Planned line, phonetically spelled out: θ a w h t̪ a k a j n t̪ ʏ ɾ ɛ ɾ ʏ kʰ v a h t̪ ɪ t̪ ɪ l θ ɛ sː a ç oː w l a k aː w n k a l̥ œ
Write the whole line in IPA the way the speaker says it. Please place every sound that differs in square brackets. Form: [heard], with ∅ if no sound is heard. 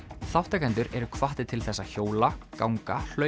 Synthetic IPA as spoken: θ a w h t̪ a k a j n t̪ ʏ ɾ ɛ ɾ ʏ kʰ v a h t̪ ɪ [t̪ʰ] ɪ l θ ɛ sː a ç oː w l a k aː w [ŋ] k a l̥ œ